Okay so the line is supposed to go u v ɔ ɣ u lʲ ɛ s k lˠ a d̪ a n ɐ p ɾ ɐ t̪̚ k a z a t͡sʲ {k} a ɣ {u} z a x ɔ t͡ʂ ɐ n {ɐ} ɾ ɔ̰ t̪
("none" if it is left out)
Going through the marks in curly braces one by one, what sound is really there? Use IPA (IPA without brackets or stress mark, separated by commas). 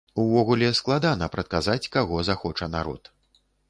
k, ɔ, a